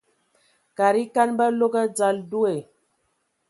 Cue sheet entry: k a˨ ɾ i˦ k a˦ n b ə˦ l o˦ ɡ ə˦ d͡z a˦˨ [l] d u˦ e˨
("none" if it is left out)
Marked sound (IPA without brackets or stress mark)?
l